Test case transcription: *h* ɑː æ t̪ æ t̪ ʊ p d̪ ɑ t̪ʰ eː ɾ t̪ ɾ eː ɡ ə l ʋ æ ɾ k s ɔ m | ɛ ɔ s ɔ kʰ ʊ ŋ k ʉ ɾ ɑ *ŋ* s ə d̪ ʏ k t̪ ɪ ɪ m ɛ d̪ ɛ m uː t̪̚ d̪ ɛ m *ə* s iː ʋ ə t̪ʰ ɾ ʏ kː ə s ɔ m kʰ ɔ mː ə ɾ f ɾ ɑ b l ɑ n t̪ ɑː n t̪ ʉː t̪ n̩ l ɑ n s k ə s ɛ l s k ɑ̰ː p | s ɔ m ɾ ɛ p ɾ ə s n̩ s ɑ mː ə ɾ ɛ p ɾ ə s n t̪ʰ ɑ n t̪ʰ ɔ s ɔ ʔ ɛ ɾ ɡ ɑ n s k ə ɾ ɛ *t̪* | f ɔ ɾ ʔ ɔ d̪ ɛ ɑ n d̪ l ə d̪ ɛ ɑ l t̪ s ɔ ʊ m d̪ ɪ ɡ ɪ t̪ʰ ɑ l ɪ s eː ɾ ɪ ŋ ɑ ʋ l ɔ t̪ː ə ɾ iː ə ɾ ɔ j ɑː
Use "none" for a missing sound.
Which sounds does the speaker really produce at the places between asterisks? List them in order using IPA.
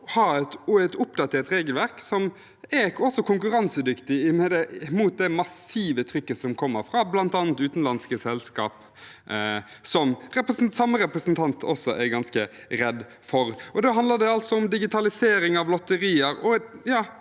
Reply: h, n, ɑ, d̪

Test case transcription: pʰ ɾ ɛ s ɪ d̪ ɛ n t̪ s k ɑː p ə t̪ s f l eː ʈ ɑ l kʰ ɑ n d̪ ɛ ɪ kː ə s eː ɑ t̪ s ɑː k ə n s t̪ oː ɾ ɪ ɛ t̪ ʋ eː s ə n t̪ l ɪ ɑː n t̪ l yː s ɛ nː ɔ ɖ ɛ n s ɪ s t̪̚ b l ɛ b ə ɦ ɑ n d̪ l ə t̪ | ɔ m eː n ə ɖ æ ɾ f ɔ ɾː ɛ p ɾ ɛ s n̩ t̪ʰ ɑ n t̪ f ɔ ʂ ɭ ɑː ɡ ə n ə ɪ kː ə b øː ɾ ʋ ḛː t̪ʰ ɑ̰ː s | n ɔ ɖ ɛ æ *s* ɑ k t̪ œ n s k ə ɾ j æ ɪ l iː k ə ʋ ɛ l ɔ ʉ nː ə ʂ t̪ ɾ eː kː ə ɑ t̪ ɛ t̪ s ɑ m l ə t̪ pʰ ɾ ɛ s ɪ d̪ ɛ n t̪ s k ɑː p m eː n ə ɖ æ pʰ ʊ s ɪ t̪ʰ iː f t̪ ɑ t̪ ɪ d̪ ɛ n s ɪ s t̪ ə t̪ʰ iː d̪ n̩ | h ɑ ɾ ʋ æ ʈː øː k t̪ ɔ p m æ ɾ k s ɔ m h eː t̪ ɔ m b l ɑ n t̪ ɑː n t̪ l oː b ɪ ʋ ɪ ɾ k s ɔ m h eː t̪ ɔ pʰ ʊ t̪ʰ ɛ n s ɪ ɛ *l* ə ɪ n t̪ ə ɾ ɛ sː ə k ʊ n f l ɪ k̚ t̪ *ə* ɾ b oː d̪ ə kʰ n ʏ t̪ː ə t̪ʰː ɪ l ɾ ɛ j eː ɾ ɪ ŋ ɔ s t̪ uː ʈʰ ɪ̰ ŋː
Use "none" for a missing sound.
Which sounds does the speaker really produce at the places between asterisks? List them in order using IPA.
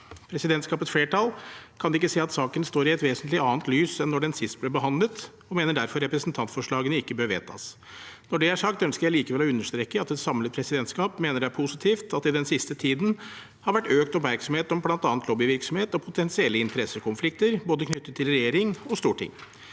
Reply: ʂ, lː, ə

